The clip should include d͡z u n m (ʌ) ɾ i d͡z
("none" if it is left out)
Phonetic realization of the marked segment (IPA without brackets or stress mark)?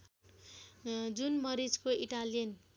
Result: ʌ